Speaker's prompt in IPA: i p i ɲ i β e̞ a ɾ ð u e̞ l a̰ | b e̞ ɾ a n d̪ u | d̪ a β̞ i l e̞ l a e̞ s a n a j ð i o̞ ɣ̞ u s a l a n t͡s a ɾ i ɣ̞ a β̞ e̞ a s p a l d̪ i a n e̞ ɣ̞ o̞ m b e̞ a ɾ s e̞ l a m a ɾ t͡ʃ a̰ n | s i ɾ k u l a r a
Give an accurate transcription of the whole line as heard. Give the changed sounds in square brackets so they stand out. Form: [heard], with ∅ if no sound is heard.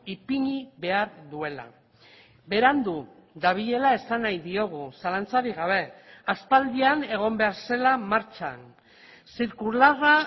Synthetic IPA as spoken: i p i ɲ i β e̞ a ɾ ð u e̞ l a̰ | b e̞ ɾ a n d̪ u | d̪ a β̞ i [ʎ] e̞ l a e̞ s a n a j ð i o̞ ɣ̞ u s a l a n t͡s a ɾ i ɣ̞ a β̞ e̞ a s p a l d̪ i a n e̞ ɣ̞ o̞ m b e̞ a ɾ s e̞ l a m a ɾ t͡ʃ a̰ n | s i ɾ k u l a r a